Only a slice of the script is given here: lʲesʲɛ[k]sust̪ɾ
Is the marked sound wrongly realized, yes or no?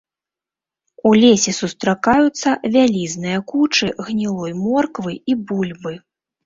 yes